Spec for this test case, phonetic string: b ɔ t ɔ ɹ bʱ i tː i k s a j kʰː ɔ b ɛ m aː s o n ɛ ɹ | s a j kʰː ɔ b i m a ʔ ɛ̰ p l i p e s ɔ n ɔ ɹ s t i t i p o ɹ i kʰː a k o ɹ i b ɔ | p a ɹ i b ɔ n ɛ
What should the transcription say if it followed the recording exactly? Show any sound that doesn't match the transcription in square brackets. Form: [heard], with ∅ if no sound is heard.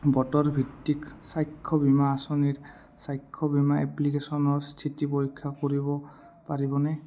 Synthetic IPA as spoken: b ɔ t ɔ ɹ bʱ i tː i k s a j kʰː ɔ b [i] m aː s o n [i] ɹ | s a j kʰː ɔ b i m a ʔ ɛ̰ p l i [k] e s ɔ n ɔ ɹ s [tʰ] i t i p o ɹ i kʰː a k o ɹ i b ɔ | p a ɹ i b ɔ n ɛ